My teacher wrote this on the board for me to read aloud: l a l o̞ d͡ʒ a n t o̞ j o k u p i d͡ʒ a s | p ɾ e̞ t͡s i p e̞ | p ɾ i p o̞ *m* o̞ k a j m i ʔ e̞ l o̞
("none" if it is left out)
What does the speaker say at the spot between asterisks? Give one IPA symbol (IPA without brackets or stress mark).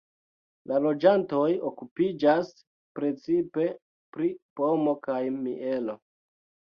m